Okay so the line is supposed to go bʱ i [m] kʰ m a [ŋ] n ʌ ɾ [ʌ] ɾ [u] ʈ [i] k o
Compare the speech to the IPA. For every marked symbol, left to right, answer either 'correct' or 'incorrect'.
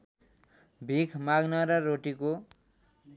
incorrect: none, incorrect: ɡ, correct, incorrect: o, correct

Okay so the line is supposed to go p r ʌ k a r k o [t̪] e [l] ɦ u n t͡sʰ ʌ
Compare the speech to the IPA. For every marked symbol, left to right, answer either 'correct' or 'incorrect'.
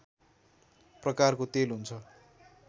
correct, correct

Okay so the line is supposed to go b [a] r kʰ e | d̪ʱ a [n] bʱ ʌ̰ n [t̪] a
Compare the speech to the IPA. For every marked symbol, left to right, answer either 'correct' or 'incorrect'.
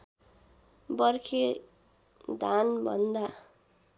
incorrect: ʌ, correct, incorrect: d̪

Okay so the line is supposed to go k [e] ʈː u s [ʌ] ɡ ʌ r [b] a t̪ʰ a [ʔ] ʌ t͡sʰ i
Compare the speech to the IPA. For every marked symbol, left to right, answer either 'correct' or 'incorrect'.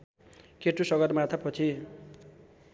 correct, correct, incorrect: m, incorrect: p

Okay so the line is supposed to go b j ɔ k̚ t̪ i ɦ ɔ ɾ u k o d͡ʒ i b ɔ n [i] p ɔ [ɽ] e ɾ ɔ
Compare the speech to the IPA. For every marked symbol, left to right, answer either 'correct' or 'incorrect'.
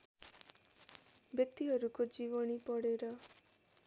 correct, correct

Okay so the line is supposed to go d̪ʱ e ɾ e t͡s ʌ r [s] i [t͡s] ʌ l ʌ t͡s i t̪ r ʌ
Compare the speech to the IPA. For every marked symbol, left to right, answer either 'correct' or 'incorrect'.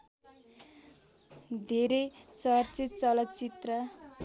incorrect: t͡s, correct

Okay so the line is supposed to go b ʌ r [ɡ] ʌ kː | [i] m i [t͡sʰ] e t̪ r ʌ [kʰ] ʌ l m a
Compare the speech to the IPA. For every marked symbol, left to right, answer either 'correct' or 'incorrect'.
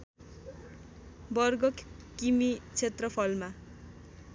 correct, correct, correct, incorrect: pʰ

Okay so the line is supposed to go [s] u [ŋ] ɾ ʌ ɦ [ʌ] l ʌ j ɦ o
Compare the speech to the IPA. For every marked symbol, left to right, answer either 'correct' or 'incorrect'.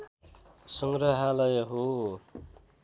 correct, correct, incorrect: a

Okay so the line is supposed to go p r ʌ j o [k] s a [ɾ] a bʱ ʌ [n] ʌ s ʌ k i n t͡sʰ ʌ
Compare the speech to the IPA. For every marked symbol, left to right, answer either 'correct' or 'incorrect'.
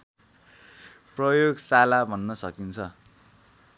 incorrect: ɡ, incorrect: l, incorrect: nː

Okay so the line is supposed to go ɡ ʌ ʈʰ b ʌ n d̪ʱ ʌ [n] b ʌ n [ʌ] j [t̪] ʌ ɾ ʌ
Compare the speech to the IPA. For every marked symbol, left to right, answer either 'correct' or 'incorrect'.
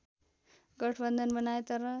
correct, incorrect: a, correct

